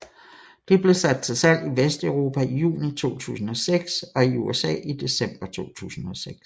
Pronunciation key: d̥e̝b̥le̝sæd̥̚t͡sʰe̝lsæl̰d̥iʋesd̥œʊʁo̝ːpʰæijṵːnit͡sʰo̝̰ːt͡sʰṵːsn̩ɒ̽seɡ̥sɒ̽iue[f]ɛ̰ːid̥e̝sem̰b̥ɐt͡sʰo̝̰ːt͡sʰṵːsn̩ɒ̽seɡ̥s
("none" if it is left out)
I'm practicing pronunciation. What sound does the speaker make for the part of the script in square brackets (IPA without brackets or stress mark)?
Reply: s